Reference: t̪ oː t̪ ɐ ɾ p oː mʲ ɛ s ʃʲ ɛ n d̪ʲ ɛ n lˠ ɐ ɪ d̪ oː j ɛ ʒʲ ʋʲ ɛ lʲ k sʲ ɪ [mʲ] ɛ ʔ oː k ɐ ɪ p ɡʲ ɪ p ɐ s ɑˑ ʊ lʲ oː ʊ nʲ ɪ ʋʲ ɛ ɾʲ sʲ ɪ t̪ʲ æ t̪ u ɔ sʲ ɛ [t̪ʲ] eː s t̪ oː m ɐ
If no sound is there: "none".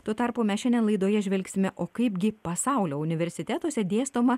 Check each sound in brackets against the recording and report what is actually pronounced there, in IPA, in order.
mʲ, d̪ʲ

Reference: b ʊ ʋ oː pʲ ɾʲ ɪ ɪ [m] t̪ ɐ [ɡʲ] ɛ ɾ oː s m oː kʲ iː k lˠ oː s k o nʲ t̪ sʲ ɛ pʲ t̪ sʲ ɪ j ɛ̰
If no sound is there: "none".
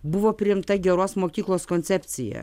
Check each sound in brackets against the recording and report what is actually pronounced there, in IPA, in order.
m, ɡʲ

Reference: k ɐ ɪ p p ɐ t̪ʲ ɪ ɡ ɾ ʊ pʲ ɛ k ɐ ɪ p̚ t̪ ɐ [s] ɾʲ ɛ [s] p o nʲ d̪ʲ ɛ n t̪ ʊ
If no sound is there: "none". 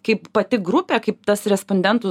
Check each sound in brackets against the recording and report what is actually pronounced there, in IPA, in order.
s, s

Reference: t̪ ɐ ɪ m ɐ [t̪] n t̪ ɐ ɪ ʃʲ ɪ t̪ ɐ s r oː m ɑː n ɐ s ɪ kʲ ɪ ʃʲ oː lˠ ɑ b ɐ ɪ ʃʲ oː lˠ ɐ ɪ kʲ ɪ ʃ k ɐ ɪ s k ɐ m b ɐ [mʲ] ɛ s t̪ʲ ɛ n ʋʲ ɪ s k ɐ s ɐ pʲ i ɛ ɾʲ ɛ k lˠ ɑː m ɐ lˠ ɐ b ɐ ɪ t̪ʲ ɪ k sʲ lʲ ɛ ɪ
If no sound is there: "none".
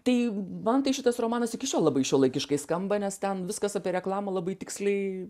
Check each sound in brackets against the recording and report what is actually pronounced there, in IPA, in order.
none, nʲ

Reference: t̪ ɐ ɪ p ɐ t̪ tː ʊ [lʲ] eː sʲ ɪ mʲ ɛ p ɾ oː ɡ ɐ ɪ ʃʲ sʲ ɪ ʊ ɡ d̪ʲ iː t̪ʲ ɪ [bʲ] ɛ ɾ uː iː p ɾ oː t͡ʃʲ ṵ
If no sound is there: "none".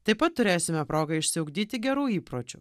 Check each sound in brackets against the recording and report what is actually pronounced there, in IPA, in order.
ɾʲ, ɡʲ

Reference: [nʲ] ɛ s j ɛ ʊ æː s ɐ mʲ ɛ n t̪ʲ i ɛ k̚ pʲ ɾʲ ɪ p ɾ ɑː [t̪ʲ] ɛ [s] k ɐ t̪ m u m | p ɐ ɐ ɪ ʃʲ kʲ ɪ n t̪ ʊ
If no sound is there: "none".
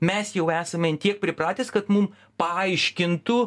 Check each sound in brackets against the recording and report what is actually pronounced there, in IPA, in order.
mʲ, t̪ʲ, s

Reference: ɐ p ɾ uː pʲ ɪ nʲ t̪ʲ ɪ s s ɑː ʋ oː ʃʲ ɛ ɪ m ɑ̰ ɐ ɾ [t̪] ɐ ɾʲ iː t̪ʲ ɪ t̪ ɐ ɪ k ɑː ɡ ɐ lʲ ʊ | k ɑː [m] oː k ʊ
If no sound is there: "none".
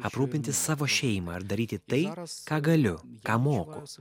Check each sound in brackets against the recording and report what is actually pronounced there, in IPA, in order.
d̪, m

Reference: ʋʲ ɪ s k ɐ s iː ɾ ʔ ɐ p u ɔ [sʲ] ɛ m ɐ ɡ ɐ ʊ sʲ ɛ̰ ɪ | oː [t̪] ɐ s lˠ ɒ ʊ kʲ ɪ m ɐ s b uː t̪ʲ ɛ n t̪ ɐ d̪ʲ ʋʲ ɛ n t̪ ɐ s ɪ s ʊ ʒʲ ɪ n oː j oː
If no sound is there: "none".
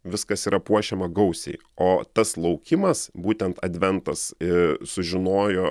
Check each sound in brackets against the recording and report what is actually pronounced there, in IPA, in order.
ʃʲ, t̪

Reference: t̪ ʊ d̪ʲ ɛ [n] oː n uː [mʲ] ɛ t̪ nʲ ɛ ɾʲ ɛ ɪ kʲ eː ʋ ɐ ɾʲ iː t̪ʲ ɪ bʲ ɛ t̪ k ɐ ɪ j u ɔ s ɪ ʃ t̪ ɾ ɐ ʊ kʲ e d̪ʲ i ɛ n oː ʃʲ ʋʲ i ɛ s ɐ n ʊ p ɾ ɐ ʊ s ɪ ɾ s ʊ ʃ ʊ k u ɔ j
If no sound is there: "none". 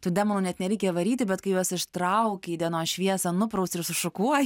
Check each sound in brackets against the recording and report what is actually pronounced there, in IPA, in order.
m, nʲ

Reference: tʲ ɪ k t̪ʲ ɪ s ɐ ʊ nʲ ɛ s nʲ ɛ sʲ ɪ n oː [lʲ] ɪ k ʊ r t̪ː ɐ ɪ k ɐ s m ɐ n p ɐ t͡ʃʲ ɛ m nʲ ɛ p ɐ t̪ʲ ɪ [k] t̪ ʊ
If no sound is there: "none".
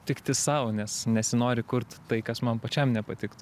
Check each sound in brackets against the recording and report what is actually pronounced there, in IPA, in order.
ɾʲ, k

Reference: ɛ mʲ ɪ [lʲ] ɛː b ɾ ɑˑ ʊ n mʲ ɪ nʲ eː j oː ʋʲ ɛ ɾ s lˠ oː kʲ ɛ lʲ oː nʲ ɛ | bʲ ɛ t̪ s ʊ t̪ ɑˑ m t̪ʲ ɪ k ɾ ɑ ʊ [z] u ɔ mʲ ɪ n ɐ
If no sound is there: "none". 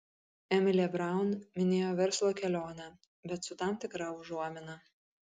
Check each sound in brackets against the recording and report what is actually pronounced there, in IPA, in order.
lʲ, ʒ

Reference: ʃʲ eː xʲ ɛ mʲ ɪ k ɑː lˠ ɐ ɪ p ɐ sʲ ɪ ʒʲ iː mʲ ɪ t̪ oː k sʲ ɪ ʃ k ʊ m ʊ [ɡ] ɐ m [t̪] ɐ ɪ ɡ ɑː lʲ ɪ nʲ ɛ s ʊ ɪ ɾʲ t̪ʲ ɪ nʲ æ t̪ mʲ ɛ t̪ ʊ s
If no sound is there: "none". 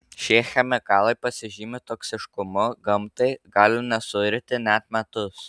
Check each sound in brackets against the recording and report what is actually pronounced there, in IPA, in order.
ɡ, t̪

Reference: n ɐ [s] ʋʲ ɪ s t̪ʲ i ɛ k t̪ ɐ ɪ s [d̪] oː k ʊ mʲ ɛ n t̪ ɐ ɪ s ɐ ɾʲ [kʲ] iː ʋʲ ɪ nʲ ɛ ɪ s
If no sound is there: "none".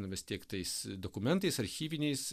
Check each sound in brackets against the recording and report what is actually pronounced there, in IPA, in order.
none, d̪, xʲ

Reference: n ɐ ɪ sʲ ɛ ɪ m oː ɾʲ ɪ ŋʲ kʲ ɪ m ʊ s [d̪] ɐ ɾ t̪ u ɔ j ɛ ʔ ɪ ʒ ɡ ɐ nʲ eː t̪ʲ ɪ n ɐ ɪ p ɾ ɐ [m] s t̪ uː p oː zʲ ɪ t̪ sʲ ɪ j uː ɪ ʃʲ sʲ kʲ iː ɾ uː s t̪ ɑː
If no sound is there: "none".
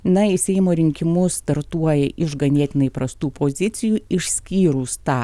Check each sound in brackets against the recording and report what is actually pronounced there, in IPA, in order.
t̪, none

